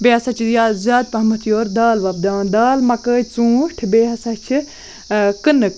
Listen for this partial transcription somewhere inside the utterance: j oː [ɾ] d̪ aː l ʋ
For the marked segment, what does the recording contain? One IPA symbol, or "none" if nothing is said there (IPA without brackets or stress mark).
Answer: ɾ